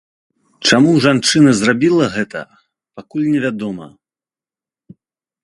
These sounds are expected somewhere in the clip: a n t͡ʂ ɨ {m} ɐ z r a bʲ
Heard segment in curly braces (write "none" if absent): n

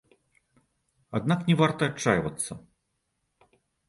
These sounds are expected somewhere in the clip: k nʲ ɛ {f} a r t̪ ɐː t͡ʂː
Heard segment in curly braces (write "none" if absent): v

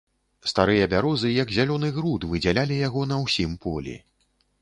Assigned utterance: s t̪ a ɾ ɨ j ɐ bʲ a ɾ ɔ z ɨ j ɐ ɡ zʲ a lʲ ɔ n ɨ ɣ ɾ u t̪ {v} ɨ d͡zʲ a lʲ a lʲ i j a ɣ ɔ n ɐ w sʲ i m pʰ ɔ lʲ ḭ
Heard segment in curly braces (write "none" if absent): v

